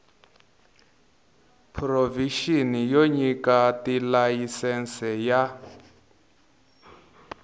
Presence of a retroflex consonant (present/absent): absent